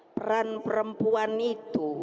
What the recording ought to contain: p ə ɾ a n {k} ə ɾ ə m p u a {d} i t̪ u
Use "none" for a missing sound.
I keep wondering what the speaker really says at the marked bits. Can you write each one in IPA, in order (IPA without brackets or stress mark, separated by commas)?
p, n